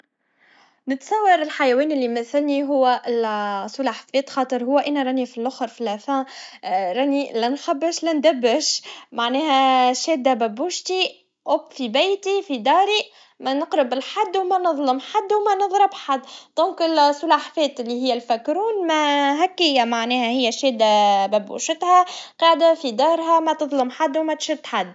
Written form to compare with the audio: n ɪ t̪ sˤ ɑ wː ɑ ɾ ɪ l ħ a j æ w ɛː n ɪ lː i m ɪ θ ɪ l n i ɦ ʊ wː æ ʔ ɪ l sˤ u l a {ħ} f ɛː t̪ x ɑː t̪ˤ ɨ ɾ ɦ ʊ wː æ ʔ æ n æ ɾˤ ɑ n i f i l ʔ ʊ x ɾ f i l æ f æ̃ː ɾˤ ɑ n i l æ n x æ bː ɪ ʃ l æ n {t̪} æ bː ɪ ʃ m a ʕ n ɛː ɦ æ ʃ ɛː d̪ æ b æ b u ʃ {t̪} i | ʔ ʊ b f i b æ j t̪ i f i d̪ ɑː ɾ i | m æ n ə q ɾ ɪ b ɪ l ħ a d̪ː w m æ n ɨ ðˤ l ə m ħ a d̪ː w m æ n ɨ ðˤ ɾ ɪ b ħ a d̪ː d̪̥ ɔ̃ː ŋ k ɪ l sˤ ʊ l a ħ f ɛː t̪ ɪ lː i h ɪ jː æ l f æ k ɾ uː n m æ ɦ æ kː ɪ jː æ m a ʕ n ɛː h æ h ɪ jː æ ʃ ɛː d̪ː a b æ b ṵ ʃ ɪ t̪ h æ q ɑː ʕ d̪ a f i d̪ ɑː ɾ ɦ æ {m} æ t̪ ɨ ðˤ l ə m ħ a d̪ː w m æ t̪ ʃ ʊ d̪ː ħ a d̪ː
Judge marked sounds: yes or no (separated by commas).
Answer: yes, no, yes, yes